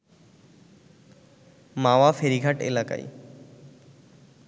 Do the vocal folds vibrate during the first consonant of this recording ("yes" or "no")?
yes